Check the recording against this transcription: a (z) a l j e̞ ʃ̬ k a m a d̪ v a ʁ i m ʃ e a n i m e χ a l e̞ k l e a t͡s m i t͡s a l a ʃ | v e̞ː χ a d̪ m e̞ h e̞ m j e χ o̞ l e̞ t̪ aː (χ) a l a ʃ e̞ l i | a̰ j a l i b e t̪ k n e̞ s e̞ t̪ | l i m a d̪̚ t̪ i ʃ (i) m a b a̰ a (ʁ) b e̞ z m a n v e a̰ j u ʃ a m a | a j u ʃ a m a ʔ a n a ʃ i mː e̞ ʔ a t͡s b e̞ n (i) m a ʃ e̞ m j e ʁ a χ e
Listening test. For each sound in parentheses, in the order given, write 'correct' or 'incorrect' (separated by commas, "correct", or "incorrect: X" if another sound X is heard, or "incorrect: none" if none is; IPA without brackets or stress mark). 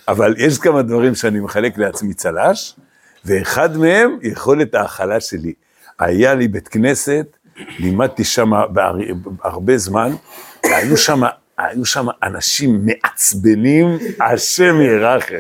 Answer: incorrect: v, correct, incorrect: a, correct, correct